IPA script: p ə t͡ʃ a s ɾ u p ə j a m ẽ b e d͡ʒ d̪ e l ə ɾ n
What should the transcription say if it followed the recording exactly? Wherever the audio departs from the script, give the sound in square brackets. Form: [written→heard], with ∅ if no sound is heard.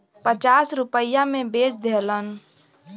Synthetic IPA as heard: p ə t͡ʃ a s ɾ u p ə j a m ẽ b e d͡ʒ d̪ e l ə [ɾ→∅] n